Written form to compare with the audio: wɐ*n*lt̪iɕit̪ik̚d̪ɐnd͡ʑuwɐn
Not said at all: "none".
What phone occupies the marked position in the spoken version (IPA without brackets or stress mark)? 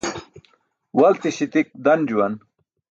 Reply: none